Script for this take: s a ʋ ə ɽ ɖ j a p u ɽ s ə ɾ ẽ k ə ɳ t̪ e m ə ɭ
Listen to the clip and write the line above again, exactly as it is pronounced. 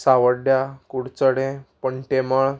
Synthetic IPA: s a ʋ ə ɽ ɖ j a k u ɽ t͡s ə ɽ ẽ p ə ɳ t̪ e m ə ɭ